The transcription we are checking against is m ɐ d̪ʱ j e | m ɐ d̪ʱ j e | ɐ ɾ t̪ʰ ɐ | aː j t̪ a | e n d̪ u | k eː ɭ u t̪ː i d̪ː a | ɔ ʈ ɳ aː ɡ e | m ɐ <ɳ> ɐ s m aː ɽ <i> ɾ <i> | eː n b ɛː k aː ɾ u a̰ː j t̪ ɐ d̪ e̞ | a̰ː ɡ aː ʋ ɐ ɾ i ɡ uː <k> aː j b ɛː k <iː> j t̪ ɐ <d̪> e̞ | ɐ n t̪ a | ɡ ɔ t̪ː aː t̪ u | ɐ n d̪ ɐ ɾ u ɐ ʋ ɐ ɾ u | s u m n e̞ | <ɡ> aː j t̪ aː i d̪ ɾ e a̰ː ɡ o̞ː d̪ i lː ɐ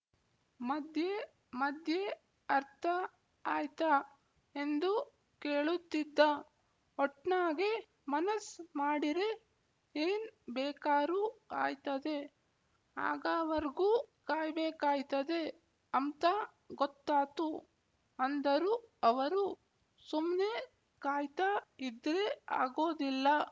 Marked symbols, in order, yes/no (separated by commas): no, yes, no, yes, no, yes, no